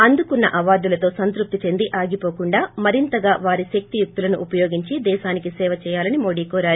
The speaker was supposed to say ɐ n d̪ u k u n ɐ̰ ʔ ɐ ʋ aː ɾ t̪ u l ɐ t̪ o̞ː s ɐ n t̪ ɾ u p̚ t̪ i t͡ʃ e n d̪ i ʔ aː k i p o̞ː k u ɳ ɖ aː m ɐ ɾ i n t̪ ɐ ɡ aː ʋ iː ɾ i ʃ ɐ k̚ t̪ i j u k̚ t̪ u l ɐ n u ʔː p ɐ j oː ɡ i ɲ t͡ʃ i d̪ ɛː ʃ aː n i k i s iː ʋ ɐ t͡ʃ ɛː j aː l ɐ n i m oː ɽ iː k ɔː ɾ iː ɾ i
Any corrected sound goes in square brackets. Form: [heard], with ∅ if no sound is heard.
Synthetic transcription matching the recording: ɐ n d̪ u k u [nː] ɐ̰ ʔ ɐ ʋ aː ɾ [d̪] u l ɐ t̪ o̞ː s ɐ n t̪ ɾ u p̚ t̪ i t͡ʃ e n d̪ i ʔ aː [ɡ] i p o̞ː k u ɳ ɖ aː m ɐ ɾ i n t̪ ɐ ɡ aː ʋ [aː] ɾ i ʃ ɐ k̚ t̪ i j u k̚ t̪ u l ɐ n u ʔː p ɐ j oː ɡ i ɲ t͡ʃ i d̪ ɛː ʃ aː n i k i s [ɛː] ʋ ɐ t͡ʃ ɛː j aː l ɐ n i m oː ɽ iː k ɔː ɾ [aː] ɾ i